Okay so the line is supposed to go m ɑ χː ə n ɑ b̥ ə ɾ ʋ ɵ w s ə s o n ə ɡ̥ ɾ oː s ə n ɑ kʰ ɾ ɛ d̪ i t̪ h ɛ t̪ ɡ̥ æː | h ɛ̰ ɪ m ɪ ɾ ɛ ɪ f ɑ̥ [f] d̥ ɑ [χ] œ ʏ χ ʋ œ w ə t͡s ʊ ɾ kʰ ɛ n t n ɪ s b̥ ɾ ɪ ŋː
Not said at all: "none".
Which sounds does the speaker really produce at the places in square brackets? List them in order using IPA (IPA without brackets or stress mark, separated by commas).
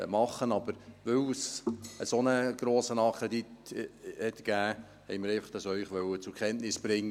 χ, s